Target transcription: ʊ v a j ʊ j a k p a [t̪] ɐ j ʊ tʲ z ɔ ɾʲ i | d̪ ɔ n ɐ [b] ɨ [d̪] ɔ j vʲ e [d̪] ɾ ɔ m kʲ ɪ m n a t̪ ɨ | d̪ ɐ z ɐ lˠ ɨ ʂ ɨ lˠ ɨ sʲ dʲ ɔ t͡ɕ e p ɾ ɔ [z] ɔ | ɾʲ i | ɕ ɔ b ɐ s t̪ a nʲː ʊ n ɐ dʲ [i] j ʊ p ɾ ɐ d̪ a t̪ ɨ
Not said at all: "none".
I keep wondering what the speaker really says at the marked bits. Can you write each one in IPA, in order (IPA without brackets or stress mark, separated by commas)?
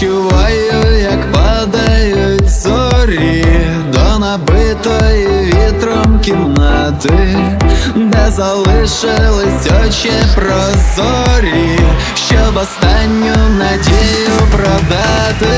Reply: d̪, b, t̪, t̪, z, e